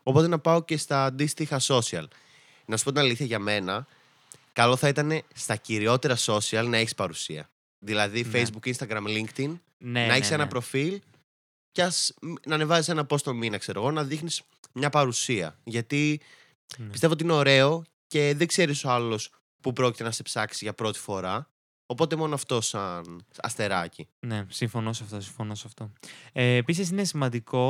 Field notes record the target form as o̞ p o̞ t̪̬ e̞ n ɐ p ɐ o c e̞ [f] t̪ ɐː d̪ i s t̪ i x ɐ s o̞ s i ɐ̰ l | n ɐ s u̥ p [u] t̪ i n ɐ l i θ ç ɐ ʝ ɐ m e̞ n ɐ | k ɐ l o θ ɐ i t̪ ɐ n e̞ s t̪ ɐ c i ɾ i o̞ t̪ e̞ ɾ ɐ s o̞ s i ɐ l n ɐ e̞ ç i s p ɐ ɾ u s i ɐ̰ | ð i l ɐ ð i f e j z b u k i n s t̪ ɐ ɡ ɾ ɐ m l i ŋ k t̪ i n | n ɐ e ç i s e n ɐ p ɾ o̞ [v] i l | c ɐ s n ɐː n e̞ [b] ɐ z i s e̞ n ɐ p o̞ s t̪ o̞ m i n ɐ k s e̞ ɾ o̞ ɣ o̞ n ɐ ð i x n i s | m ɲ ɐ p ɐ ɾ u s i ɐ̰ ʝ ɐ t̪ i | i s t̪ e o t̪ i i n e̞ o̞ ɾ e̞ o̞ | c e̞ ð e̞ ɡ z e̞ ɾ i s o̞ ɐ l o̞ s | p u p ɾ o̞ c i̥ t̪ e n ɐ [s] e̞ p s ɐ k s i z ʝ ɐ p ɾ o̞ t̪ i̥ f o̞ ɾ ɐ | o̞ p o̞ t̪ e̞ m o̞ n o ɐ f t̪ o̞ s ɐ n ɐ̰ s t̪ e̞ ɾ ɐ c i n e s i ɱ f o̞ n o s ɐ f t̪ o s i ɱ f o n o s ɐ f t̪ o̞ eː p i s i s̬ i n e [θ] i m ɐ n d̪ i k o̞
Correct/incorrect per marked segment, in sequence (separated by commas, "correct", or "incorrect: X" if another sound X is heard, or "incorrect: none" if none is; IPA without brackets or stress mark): incorrect: s, incorrect: o, incorrect: f, incorrect: v, correct, incorrect: s